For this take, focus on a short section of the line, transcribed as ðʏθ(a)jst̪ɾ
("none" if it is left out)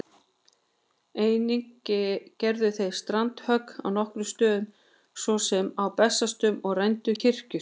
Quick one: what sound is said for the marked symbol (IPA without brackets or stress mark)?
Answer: e